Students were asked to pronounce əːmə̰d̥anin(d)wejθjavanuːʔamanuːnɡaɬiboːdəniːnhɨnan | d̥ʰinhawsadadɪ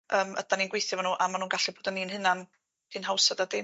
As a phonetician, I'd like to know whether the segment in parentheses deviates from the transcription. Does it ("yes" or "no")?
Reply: yes